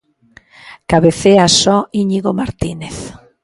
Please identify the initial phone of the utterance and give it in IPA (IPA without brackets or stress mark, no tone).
k